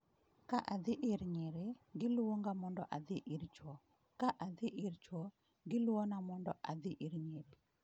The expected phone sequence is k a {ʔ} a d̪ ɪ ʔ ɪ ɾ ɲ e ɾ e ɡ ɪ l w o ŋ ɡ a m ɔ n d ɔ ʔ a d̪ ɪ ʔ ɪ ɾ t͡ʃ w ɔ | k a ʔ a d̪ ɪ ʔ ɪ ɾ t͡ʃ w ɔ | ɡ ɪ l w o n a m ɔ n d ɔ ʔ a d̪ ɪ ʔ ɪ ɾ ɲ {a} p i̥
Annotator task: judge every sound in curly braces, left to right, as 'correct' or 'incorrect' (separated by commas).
correct, incorrect